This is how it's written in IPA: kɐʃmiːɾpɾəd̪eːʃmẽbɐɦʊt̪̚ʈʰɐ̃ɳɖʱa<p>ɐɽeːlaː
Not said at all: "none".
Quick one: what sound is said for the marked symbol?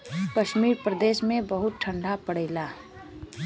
p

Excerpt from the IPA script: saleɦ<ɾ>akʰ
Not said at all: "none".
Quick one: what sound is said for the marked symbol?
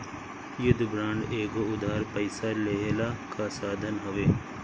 l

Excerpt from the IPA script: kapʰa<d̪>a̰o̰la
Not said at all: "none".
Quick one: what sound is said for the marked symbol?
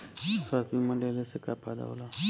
d̪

